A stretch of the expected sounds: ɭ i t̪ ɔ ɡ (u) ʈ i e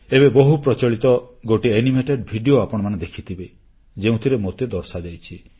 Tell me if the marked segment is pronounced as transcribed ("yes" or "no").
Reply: no